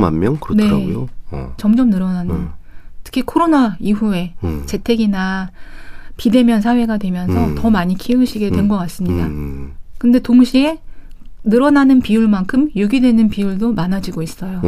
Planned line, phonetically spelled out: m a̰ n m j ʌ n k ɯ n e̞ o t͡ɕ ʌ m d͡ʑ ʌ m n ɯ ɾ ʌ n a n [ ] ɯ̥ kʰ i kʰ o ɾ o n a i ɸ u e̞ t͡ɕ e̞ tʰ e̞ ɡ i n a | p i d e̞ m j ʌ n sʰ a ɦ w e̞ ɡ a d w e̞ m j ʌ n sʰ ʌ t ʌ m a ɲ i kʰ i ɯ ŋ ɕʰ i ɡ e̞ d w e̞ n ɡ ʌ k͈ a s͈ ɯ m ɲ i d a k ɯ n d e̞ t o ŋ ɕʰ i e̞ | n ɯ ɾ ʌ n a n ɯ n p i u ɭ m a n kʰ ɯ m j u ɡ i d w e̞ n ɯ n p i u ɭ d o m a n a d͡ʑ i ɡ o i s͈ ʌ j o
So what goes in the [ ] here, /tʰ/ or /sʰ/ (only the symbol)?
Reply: tʰ